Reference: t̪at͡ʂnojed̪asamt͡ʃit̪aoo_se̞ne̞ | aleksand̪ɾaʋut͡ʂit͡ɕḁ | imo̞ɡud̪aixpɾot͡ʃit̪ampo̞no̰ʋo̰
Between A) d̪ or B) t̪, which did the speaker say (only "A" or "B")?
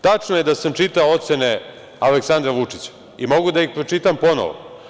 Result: B